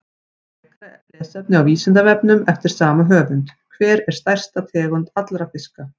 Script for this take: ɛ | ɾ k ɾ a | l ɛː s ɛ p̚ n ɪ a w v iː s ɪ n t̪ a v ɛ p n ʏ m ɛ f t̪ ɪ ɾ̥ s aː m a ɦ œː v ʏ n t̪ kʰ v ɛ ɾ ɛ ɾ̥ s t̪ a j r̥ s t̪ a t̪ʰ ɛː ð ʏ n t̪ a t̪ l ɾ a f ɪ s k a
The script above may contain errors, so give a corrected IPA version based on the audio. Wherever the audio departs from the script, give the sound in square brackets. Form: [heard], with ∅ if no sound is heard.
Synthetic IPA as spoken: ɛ | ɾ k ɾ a | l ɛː s ɛ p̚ n ɪ a w v iː s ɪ n t̪ a v ɛ p n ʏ m ɛ f t̪ ɪ ɾ̥ s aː m a ɦ œː v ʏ n t̪ kʰ v [ɛː] ɾ ɛ ɾ̥ s t̪ a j r̥ s t̪ a t̪ʰ ɛː [ɣ] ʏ n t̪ a t̪ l ɾ a f ɪ s k a